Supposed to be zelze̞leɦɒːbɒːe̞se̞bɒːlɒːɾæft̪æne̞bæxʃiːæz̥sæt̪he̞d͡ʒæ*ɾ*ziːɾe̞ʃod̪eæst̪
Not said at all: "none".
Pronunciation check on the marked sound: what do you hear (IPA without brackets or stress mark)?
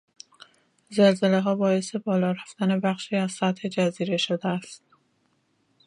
none